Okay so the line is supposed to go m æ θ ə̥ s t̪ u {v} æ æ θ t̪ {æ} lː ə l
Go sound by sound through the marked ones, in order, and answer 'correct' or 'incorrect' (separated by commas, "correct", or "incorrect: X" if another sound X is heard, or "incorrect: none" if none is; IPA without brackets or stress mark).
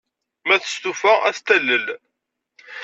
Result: incorrect: f, correct